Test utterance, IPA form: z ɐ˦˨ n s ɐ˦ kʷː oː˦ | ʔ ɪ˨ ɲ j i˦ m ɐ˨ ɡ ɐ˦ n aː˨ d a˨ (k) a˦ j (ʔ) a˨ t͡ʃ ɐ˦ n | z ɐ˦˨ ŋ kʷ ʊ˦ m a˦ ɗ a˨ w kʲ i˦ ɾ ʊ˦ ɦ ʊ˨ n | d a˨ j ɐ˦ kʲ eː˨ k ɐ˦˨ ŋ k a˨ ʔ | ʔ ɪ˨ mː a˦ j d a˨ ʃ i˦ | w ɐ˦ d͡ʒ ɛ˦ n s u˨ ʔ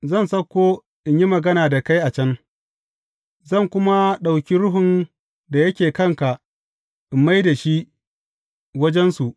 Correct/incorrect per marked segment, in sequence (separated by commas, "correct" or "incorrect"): correct, correct